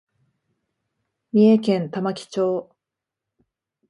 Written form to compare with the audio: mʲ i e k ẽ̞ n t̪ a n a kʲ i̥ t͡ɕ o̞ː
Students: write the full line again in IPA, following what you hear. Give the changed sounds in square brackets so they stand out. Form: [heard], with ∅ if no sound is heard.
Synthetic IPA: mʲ i e k ẽ̞ n t̪ a [m] a kʲ i̥ t͡ɕ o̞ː